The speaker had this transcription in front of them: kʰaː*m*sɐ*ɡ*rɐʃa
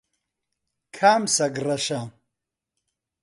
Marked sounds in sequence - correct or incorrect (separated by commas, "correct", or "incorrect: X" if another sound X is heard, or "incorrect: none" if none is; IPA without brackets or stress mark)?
correct, correct